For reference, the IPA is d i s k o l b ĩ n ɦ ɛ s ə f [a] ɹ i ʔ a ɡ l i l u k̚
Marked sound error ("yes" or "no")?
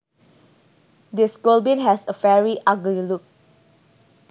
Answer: yes